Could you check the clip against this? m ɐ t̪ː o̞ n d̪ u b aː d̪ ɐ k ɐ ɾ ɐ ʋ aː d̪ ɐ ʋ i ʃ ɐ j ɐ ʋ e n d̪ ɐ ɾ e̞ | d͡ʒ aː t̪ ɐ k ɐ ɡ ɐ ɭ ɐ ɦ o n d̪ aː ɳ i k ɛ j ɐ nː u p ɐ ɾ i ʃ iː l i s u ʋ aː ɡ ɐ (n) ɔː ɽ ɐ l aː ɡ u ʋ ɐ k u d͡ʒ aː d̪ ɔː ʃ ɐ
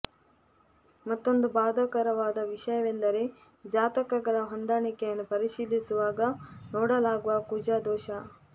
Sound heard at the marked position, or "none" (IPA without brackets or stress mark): n